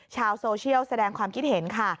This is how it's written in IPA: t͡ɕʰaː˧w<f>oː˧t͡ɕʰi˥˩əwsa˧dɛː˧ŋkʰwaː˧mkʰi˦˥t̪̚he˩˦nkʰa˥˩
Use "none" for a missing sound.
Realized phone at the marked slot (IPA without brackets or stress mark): s